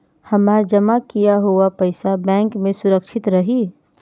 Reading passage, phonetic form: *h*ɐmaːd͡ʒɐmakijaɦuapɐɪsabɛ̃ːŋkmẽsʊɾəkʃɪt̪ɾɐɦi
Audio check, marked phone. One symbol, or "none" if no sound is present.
h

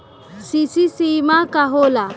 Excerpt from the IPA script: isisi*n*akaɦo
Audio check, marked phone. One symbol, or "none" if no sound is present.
m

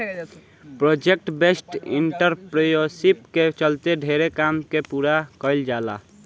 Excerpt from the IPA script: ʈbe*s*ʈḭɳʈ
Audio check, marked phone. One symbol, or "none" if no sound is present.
s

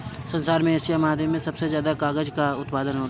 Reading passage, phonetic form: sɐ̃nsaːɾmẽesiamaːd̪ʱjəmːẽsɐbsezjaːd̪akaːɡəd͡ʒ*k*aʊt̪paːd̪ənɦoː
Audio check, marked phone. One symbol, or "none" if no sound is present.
k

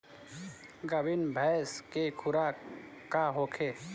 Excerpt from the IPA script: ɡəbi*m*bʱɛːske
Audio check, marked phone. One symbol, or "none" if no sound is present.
n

